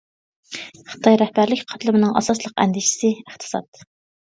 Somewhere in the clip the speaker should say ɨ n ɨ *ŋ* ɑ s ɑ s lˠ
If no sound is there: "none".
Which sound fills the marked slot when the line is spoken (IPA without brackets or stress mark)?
ŋ